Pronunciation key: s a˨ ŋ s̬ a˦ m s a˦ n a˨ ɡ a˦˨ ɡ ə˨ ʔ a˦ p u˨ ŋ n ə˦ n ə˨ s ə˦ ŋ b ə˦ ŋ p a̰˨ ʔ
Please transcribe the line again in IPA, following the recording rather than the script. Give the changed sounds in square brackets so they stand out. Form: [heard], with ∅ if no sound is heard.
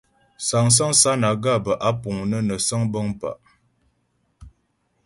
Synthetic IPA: s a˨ ŋ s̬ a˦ [ŋ] s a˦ n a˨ ɡ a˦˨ [b] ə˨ ʔ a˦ p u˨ ŋ n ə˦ n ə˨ s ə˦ ŋ b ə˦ ŋ p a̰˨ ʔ